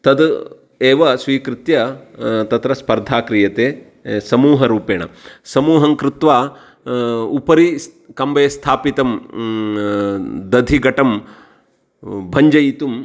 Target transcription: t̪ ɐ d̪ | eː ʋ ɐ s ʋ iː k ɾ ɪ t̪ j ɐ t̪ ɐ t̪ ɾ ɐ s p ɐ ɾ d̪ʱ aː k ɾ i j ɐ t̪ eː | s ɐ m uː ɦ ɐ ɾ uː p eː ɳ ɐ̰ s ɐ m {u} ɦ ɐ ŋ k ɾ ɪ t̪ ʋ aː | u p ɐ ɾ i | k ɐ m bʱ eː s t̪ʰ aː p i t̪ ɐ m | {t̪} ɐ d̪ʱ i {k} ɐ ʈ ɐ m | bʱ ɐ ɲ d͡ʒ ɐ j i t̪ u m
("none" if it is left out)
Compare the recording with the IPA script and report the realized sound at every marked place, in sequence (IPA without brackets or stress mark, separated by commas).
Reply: uː, d̪, ɡ